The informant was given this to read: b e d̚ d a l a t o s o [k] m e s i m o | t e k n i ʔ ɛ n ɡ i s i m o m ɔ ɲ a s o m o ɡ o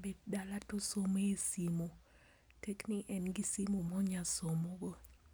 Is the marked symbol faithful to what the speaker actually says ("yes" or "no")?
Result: no